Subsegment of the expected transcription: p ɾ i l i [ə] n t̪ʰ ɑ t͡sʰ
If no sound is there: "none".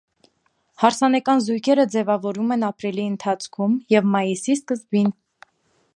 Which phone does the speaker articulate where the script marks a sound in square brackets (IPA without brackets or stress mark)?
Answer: ə